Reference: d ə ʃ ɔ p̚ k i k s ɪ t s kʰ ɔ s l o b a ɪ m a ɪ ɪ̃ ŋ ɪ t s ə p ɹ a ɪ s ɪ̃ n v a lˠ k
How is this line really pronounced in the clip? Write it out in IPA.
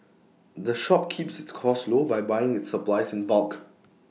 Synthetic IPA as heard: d ə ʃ ɔ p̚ kʰ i p s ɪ t s kʰ ɔ s l o b a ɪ b a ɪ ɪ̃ ŋ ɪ t s ə p l a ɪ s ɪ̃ n v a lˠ k